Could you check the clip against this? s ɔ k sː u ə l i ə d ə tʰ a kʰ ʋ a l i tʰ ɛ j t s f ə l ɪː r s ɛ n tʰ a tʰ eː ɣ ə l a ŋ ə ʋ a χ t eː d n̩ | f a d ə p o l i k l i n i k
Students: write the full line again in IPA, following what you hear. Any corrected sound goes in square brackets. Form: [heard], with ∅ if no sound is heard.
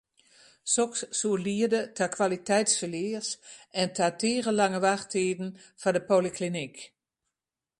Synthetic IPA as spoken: s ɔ k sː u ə l i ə d ə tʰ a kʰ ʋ a l i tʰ ɛ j t s f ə l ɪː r s ɛ n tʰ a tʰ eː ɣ ə l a ŋ ə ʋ a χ t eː d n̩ | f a d ə p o l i k l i n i k